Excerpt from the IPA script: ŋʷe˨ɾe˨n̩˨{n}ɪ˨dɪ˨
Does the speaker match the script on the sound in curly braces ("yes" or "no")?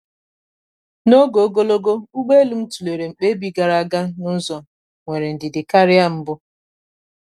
no